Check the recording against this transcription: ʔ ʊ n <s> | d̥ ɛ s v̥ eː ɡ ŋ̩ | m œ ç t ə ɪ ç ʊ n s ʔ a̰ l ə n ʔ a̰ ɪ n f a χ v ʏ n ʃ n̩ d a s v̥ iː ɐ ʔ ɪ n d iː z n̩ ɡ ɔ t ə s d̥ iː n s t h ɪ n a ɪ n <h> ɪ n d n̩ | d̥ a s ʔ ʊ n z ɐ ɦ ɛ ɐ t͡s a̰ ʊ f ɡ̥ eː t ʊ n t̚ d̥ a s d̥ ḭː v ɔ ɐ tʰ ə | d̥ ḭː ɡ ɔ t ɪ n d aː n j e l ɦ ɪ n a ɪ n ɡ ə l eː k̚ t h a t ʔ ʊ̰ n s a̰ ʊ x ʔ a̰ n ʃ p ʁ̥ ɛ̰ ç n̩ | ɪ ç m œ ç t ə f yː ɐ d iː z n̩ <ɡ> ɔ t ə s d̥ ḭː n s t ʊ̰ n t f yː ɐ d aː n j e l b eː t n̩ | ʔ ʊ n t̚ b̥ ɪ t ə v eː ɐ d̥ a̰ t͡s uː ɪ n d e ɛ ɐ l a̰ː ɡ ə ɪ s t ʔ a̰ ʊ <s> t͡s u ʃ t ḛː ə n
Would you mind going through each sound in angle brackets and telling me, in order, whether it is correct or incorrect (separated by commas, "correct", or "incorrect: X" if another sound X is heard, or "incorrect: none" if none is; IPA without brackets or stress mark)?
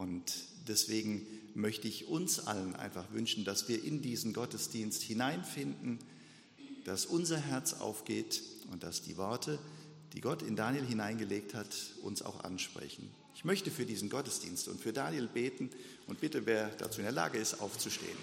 incorrect: t, incorrect: f, correct, incorrect: f